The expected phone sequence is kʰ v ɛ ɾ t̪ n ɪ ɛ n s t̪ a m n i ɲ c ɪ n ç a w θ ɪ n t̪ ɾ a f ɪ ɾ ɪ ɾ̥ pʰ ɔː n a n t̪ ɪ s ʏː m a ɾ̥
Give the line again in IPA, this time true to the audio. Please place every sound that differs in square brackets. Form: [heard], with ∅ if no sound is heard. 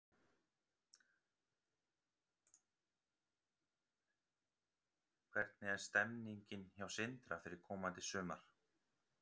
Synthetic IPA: kʰ v ɛ ɾ t̪ n ɪ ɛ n s t̪ [ɛ] m n i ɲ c ɪ n ç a w [s] ɪ n t̪ ɾ a f ɪ ɾ ɪ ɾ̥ [kʰ] ɔː [m] a n t̪ ɪ s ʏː m a ɾ̥